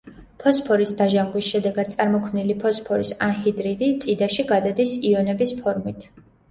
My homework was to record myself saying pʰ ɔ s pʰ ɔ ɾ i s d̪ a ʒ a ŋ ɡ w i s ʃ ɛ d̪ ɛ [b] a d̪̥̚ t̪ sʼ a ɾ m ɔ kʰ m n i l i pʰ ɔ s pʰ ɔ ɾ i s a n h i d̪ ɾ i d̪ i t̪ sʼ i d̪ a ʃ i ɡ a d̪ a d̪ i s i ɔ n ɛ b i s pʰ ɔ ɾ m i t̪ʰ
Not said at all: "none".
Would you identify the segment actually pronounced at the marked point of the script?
ɡ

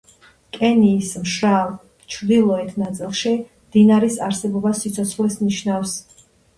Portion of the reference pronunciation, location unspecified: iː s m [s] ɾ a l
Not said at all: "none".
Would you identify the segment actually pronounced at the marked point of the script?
ʃ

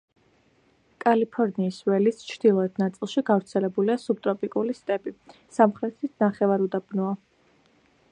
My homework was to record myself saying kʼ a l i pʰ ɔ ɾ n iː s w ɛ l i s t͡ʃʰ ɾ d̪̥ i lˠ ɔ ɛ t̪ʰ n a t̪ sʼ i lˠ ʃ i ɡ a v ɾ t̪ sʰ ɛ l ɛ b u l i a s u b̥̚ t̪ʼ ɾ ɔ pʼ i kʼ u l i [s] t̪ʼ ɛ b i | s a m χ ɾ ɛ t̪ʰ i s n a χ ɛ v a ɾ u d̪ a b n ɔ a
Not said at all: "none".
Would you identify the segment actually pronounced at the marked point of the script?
s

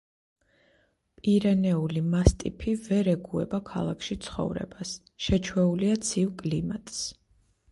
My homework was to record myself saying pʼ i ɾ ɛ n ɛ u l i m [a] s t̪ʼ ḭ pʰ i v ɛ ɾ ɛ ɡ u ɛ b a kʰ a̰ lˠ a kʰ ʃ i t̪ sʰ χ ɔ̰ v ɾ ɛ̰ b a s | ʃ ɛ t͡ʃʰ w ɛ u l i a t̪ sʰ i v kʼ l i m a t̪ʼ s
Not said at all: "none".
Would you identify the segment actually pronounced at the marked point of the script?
a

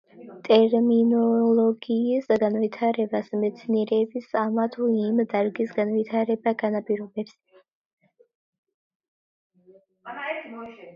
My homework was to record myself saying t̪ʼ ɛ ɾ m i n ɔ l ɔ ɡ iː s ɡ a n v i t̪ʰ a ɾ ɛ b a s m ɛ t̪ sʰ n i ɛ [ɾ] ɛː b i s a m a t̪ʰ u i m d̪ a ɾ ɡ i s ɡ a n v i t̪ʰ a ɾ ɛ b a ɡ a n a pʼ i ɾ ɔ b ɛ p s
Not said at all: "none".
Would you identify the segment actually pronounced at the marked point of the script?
ɾ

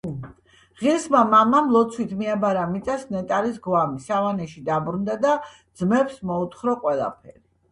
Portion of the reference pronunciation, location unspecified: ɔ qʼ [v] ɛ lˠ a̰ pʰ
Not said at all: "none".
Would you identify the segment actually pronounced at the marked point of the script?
w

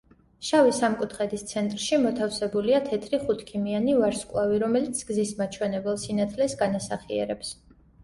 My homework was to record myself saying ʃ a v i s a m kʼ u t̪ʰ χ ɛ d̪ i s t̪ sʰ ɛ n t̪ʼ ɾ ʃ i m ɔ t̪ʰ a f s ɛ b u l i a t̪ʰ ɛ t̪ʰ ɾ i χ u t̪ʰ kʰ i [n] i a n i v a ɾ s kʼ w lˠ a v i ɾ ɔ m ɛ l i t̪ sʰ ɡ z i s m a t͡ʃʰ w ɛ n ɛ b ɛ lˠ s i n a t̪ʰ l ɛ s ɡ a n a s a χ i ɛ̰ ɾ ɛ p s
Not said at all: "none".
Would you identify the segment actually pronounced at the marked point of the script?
m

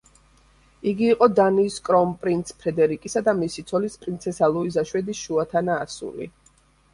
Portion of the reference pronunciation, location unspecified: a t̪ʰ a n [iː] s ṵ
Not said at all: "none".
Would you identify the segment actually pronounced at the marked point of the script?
aː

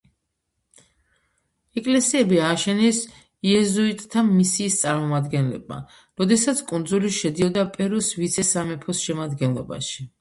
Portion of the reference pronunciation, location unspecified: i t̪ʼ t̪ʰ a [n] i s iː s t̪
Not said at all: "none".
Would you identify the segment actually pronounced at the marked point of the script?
m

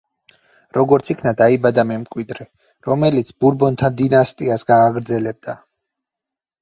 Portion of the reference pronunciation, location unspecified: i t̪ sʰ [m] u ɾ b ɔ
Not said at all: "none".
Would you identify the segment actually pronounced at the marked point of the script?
b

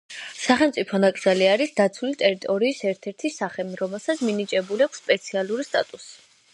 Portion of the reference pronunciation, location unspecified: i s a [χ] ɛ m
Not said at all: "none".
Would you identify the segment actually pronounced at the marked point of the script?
χ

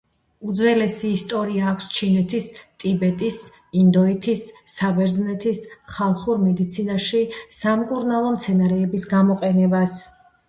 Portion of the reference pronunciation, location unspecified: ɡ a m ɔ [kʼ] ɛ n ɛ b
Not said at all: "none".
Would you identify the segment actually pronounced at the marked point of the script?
qʼ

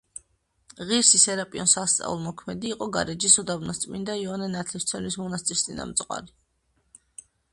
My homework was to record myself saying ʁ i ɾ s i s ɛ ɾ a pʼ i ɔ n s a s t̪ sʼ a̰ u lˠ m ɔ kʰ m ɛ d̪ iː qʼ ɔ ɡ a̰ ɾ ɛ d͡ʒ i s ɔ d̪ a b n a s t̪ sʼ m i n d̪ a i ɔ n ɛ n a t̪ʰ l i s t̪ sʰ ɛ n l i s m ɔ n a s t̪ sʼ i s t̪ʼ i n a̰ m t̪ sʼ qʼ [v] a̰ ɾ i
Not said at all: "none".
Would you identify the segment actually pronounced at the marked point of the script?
w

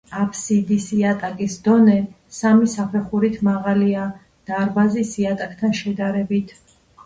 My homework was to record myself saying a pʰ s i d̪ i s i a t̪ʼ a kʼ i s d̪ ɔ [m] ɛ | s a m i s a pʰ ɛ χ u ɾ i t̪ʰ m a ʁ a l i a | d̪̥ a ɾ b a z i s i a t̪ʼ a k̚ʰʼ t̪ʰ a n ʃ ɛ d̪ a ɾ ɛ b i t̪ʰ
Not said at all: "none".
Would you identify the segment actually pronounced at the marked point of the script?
n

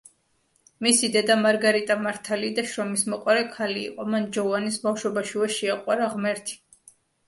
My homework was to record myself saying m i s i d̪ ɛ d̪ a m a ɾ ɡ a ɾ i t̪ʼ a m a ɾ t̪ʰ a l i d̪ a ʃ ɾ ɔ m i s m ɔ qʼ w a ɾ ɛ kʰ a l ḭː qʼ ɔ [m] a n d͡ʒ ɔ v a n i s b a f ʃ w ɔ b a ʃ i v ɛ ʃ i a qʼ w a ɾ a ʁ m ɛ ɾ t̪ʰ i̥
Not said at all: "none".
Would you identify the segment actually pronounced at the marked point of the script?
m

